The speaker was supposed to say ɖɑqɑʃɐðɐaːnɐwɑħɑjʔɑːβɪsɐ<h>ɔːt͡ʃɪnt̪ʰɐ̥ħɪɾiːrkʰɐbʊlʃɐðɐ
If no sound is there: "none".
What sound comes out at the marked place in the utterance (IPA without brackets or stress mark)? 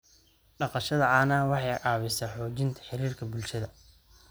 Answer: ħ